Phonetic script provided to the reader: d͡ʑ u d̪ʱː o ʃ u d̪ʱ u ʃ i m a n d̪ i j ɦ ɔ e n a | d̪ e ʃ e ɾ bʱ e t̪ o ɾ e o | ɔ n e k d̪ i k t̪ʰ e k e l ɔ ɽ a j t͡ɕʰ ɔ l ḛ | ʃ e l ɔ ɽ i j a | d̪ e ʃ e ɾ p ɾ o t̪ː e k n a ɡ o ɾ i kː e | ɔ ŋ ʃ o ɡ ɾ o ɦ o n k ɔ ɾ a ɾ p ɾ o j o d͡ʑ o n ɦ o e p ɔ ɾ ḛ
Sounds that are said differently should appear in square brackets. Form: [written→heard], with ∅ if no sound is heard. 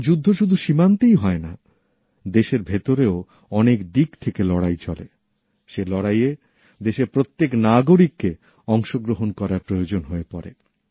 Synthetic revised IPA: d͡ʑ u d̪ʱː o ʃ u d̪ʱ u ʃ i m a n [d̪→t̪] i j ɦ ɔ e n a | d̪ e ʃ e ɾ bʱ e t̪ o ɾ e o | ɔ n e k d̪ i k t̪ʰ e k e l ɔ ɽ a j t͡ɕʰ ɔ l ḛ | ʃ e l ɔ ɽ [i→a] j [a→e] | d̪ e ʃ e ɾ p ɾ o t̪ː e k n a ɡ o ɾ i kː e | ɔ ŋ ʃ o ɡ ɾ o ɦ o n k ɔ ɾ a ɾ p ɾ o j o d͡ʑ o n ɦ o e p ɔ ɾ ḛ

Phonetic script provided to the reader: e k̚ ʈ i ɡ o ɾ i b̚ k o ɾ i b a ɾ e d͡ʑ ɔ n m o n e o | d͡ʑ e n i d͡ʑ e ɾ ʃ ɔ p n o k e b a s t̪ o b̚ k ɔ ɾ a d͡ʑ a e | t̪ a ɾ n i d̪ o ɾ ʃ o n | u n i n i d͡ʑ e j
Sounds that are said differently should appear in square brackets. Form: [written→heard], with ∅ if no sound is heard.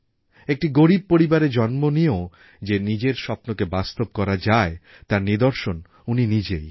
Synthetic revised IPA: e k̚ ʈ i ɡ o ɾ i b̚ [k→p] o ɾ i b a ɾ e d͡ʑ ɔ n m o n [e→i] o | d͡ʑ e n i d͡ʑ e ɾ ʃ ɔ p n o k e b a s t̪ o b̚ k ɔ ɾ a d͡ʑ a e | t̪ a ɾ n i d̪ o ɾ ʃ o n | u n i n i d͡ʑ e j

